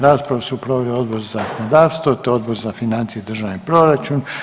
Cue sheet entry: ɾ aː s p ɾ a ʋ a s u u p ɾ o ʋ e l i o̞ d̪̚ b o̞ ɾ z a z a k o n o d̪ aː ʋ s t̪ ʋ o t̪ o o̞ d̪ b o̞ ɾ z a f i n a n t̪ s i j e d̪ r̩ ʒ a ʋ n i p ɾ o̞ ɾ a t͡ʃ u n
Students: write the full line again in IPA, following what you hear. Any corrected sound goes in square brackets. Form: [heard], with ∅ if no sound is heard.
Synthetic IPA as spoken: ɾ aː s p ɾ a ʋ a s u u p ɾ o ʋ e l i o̞ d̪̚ b o̞ ɾ z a z a k o n o d̪ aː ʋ s t̪ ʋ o t̪ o o̞ d̪ b o̞ ɾ z a f i n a n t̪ s i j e d̪ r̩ ʒ a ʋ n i p ɾ o̞ ɾ a t͡ʃ u n